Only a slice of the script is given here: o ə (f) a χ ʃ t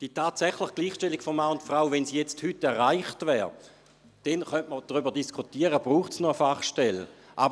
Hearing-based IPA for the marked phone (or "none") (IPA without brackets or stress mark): f